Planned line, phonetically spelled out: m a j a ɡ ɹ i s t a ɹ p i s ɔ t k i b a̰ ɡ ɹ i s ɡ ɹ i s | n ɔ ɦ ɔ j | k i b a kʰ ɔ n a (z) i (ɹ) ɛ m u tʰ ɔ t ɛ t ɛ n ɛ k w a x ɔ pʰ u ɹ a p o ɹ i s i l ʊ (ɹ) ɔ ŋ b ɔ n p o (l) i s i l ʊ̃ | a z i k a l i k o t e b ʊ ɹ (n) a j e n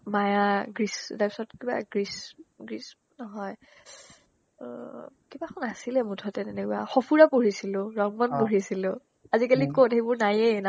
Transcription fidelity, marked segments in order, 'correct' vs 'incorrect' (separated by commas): incorrect, incorrect, correct, incorrect, correct